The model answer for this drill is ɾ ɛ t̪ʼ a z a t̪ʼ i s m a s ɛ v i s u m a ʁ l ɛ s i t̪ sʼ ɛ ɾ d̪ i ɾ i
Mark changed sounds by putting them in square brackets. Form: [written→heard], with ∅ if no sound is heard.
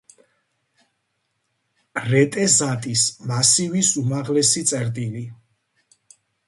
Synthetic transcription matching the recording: ɾ ɛ t̪ʼ [a→ɛ] z a t̪ʼ i s m a s [ɛ→i] v i s u m a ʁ l ɛ s i t̪ sʼ ɛ ɾ d̪ i [ɾ→l] i